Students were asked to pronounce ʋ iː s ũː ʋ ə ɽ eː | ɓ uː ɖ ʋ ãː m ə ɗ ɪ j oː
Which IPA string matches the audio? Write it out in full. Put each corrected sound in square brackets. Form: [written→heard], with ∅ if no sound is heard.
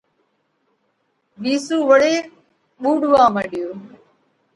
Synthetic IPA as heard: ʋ iː s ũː ʋ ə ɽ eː | ɓ uː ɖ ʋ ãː m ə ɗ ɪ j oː